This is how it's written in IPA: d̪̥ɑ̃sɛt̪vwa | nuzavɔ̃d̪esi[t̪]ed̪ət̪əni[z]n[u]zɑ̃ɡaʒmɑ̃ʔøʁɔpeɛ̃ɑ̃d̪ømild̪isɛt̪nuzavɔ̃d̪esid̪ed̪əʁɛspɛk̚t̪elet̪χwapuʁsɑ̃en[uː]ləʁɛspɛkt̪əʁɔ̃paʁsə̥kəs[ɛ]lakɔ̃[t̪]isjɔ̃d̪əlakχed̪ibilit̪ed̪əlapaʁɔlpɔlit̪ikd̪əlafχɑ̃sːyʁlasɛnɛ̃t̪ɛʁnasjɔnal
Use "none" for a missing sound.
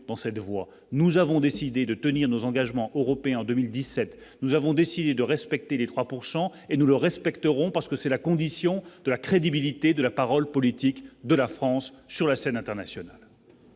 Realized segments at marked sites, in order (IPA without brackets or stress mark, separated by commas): d̪, ʁ, o, u, ɛ, d̪